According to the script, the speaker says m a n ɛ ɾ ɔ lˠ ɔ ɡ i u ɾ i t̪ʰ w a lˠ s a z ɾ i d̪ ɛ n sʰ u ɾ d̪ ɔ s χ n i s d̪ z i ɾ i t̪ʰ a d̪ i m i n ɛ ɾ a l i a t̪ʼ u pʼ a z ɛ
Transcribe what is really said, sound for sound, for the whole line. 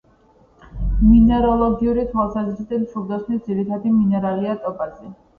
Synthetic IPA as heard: m i n ɛ ɾ ɔ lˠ ɔ ɡ i u ɾ i t̪ʰ w a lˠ s a z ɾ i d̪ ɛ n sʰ u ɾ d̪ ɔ s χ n i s d̪ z i ɾ i t̪ʰ a d̪ i m i n ɛ ɾ a l i a t̪ʼ ɔ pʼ a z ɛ